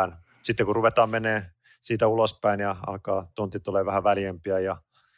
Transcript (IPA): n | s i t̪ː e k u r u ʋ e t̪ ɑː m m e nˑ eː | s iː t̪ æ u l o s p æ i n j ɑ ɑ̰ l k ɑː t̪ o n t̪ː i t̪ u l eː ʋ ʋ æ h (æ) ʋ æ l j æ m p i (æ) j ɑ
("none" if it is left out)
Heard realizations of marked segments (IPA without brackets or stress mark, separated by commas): æ, æ